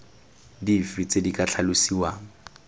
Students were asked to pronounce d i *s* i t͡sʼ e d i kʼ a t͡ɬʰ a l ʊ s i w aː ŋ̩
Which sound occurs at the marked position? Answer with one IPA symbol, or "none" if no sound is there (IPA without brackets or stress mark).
f